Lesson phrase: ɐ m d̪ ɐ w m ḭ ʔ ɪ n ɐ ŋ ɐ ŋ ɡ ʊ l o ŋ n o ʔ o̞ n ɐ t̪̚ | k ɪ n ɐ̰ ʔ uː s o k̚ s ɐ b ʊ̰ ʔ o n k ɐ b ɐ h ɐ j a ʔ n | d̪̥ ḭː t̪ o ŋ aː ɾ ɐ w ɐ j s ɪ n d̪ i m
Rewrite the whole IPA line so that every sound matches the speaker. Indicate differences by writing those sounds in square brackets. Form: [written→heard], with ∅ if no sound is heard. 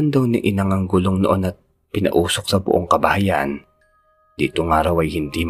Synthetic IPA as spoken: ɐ [m→n] d̪ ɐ w [m→n] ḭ ʔ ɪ n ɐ ŋ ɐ ŋ ɡ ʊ l o ŋ n o ʔ o̞ n ɐ t̪̚ | [k→p] ɪ n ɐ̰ ʔ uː s o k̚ s ɐ b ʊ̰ ʔ o [n→ŋ] k ɐ b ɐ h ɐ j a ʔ n | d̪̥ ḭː t̪ o ŋ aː ɾ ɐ w ɐ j [s→h] ɪ n d̪ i m